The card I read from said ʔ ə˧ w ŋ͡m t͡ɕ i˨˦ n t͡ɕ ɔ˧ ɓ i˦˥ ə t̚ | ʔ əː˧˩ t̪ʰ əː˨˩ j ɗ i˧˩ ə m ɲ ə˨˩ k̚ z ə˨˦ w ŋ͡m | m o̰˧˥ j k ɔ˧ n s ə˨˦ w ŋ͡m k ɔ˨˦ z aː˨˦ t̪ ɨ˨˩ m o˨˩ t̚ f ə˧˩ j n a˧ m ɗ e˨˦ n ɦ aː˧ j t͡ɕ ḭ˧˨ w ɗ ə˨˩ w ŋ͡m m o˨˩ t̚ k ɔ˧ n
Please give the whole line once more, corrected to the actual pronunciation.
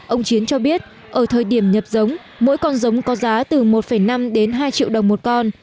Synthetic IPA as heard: ʔ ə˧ w ŋ͡m t͡ɕ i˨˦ n t͡ɕ ɔ˧ ɓ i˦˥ ə t̚ | ʔ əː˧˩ t̪ʰ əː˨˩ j ɗ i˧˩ ə m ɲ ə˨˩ p̚ z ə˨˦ w ŋ͡m | m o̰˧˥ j k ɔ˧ n z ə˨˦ w ŋ͡m k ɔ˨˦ z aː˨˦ t̪ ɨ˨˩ m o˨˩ t̚ f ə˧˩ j n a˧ m ɗ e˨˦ n ɦ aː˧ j t͡ɕ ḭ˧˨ w ɗ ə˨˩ w ŋ͡m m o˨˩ t̚ k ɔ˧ n